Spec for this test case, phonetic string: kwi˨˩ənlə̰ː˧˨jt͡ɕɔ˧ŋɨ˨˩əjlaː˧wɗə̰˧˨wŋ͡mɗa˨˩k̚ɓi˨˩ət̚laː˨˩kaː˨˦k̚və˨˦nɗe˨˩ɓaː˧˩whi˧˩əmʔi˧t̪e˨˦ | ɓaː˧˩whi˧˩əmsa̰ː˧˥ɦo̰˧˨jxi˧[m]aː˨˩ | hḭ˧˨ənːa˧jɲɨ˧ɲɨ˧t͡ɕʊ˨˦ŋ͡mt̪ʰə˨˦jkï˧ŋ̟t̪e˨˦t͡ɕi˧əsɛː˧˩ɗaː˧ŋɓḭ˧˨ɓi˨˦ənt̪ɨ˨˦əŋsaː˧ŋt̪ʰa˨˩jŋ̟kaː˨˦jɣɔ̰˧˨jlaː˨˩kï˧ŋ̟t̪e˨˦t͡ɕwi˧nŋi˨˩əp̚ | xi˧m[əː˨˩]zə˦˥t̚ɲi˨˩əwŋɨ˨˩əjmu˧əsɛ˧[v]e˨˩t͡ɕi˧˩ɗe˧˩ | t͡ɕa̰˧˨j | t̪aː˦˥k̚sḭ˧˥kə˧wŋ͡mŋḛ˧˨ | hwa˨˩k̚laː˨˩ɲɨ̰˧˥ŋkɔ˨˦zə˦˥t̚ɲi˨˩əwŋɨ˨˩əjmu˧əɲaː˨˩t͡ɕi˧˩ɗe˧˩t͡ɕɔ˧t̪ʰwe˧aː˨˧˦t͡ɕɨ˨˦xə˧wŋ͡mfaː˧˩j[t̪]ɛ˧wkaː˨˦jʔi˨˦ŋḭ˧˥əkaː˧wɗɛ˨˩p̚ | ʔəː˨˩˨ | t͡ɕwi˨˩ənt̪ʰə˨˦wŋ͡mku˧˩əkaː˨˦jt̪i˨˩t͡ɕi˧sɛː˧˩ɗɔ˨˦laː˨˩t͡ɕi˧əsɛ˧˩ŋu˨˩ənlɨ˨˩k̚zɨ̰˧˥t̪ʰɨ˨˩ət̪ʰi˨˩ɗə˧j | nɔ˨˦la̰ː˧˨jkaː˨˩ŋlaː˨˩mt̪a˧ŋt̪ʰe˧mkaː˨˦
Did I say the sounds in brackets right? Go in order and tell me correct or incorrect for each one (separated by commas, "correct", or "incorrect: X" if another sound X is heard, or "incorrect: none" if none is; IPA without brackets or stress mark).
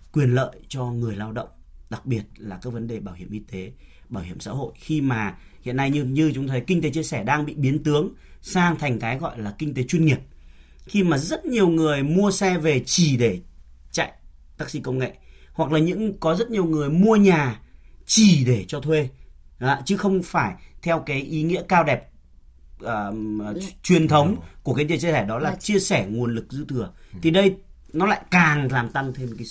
correct, incorrect: aː˨˩, correct, incorrect: t̪ʰ